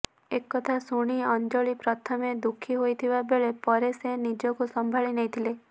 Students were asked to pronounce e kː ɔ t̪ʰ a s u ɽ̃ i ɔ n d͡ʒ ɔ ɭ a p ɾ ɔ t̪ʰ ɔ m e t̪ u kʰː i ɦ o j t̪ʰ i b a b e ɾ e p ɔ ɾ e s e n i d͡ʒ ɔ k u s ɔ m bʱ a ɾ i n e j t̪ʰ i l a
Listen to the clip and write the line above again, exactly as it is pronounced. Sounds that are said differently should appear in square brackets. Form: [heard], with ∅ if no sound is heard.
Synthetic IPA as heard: e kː ɔ t̪ʰ a s u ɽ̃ i ɔ n d͡ʒ ɔ ɭ [i] p ɾ ɔ t̪ʰ ɔ m e [d̪] u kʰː i ɦ o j t̪ʰ i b a b e [ɭ] e p ɔ ɾ e s e n i d͡ʒ ɔ k u s ɔ m bʱ a [ɭ] i n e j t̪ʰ i l [e]